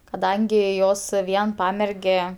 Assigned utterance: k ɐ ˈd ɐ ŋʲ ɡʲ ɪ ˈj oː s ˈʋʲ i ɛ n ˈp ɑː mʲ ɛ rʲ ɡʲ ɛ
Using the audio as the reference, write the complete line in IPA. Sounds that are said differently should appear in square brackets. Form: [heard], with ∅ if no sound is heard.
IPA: k ɐ ˈd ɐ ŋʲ ɡʲ ɪ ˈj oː s ˈʋʲ i ɛ n ˈp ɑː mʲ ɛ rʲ ɡʲ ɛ